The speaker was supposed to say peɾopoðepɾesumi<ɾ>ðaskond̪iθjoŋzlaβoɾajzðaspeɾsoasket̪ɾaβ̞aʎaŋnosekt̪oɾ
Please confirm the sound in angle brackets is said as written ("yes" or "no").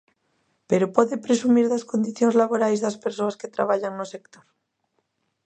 yes